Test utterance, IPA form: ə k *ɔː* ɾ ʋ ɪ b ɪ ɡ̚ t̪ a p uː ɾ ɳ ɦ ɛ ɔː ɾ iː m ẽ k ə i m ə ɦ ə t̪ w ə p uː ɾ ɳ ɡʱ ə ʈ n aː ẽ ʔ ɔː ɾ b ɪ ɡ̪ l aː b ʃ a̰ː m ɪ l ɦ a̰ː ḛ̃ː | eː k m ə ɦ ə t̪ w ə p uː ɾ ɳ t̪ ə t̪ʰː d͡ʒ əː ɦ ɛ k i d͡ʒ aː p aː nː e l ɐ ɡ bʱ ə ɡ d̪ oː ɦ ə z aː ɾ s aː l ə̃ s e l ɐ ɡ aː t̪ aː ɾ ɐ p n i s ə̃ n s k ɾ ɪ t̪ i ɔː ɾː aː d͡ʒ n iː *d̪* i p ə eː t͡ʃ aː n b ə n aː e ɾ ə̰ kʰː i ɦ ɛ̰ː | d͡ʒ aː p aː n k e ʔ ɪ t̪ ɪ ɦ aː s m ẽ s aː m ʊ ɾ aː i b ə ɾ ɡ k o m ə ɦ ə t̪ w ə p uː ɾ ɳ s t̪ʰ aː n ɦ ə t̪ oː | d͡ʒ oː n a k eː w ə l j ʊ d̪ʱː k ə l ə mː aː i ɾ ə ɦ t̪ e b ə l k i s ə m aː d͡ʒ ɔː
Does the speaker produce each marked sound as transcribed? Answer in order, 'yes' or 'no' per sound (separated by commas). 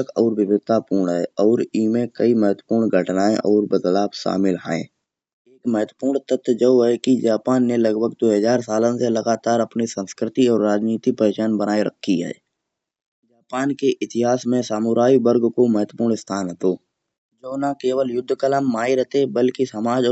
yes, no